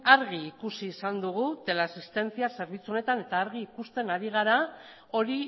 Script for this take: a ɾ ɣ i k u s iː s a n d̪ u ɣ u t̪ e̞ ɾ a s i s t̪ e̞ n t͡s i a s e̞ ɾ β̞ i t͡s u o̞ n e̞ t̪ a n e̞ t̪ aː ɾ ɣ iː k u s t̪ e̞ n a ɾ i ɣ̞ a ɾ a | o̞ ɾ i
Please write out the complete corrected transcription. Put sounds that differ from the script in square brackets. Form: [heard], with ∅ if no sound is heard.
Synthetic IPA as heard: a ɾ ɣ [iː] k u s iː s a n d̪ u ɣ u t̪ e̞ [l] a s i s t̪ e̞ n t͡s i a s e̞ ɾ β̞ i t͡s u o̞ n e̞ t̪ a n e̞ t̪ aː ɾ ɣ iː k u s t̪ e̞ n a ɾ i ɣ̞ a ɾ a | o̞ ɾ i